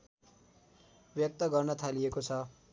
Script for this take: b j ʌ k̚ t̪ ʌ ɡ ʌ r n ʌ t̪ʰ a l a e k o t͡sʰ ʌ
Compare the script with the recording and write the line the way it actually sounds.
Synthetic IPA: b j ʌ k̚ t̪ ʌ ɡ ʌ r n ʌ t̪ʰ a l i e k o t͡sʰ ʌ